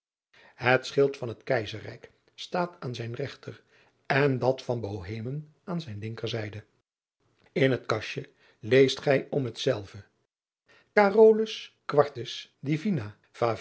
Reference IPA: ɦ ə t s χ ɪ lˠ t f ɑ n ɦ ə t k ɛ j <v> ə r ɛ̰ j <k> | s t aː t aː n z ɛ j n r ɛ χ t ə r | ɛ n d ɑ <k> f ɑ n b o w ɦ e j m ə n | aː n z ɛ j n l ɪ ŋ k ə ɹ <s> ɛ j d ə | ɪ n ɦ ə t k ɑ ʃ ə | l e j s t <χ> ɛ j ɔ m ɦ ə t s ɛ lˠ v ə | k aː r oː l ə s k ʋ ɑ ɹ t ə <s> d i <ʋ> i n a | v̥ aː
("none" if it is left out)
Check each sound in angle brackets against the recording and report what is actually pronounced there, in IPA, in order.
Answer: z, k, t, z, χ, s, v

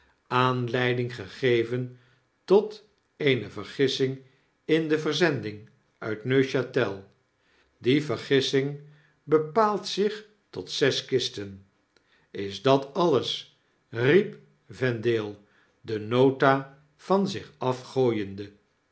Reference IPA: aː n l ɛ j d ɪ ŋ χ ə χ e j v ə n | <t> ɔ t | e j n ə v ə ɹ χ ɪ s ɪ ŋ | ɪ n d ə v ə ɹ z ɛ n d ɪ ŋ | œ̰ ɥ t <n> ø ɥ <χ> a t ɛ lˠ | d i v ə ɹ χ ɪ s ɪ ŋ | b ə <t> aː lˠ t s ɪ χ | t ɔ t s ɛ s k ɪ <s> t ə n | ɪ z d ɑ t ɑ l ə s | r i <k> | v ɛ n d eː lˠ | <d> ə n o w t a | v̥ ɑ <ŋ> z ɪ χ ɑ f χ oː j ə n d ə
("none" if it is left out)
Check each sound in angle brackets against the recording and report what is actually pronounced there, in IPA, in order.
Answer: t, n, ʃ, p, s, p, d, n

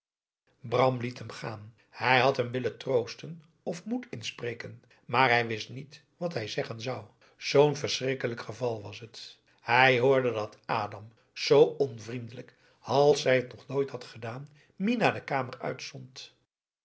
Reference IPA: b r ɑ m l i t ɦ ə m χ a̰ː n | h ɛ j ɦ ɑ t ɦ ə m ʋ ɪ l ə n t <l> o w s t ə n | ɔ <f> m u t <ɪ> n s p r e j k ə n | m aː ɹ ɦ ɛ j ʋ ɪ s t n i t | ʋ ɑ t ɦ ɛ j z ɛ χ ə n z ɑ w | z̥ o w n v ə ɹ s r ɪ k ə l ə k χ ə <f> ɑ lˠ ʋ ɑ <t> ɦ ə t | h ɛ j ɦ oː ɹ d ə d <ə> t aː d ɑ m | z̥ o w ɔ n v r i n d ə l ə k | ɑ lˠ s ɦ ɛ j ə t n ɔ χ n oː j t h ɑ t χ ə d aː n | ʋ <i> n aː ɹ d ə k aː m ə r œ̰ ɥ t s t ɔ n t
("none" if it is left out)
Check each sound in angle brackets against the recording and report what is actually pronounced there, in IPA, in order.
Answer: r, f, ɪ, v, s, ɑ, i

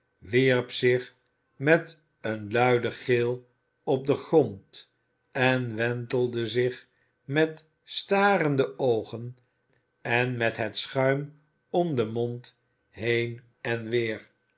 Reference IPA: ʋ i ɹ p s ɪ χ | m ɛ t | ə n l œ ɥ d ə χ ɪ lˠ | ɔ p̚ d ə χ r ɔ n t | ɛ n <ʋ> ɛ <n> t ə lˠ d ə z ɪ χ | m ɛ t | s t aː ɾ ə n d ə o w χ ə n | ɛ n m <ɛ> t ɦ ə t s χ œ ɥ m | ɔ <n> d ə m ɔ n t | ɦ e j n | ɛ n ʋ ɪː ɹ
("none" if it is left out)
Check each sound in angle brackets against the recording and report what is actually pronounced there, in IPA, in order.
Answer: ʋ, n, ɛ, m

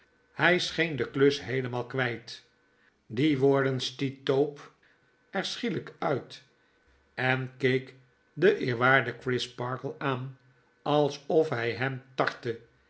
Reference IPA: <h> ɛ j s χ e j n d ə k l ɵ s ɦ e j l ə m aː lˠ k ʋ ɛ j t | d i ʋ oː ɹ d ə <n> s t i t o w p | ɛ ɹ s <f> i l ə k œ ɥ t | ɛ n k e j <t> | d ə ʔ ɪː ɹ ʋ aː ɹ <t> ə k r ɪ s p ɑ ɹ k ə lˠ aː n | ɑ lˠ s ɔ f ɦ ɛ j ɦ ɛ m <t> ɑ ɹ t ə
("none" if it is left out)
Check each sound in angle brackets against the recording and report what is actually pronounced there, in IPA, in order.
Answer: h, n, χ, k, d, t

